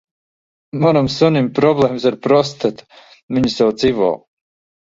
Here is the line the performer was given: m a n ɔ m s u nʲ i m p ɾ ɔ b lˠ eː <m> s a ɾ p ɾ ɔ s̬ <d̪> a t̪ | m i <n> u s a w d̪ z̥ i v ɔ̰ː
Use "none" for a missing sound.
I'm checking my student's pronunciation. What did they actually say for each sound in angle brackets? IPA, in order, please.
m, t̪, ɲ

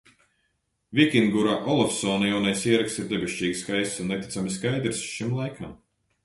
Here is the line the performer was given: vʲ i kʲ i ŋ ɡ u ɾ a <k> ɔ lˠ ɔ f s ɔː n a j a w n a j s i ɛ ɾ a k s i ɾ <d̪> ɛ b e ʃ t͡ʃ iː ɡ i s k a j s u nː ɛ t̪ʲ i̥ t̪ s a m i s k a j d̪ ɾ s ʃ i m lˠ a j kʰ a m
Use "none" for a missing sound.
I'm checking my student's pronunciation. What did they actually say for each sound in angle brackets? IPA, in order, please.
ʔ, d̪

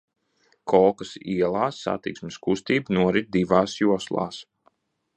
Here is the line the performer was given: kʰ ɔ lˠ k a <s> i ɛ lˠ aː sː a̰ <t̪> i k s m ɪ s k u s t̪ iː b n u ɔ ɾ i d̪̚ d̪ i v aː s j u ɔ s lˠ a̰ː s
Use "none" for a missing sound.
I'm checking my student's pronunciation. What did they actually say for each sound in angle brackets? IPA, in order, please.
s, t̪

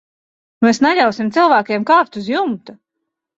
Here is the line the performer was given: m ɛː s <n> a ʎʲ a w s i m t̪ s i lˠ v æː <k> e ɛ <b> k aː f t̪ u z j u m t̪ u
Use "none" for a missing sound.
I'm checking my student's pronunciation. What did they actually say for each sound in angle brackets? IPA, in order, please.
n, k, m

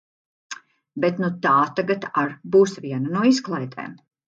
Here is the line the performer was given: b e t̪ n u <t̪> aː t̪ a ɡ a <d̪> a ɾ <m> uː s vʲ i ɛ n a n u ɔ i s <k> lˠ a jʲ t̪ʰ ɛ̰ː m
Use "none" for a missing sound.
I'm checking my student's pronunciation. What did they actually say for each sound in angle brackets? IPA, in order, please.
t̪, t̪, b, k

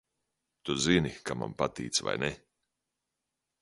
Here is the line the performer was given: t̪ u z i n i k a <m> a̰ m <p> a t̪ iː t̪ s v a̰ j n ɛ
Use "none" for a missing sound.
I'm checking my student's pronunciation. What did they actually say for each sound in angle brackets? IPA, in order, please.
m, p

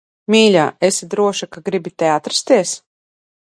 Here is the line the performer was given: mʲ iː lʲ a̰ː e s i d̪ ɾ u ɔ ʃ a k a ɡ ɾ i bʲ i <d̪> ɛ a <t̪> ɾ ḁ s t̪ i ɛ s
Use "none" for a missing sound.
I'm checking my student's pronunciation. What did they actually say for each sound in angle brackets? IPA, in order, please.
t̪, t̪

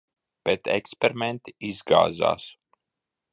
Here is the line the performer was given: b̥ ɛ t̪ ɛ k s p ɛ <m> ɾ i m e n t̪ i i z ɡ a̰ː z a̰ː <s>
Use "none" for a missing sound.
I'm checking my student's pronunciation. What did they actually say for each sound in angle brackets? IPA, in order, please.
none, s

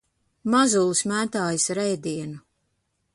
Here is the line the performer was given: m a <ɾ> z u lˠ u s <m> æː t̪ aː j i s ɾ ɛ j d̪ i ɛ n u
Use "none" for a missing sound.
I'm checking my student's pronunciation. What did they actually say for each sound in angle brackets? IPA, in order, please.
none, m

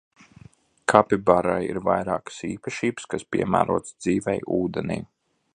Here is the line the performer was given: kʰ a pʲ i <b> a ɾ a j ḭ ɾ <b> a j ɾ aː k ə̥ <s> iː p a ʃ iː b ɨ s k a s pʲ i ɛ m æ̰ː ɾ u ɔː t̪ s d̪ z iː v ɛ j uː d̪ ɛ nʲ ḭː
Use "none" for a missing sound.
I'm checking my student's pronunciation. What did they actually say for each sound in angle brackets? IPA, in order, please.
b, v, s

